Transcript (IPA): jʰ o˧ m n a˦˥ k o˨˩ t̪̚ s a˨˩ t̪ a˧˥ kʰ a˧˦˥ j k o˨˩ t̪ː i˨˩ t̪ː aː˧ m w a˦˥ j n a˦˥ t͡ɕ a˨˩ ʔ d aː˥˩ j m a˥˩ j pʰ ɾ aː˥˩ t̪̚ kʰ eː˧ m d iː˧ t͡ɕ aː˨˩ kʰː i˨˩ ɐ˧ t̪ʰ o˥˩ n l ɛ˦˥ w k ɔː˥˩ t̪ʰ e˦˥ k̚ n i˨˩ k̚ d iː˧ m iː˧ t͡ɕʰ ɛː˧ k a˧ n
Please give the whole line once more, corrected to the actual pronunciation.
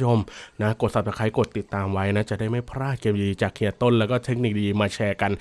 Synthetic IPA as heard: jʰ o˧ m n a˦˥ k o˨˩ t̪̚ s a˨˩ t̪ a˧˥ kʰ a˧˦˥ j k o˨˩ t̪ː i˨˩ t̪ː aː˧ m w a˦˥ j n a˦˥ t͡ɕ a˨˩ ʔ d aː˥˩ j m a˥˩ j pʰ ɾ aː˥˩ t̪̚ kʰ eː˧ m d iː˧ t͡ɕ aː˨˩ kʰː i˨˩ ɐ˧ t̪ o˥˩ n l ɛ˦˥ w k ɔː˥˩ t̪ʰ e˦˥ k̚ n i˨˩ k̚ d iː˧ m aː˧ t͡ɕʰ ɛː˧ k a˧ n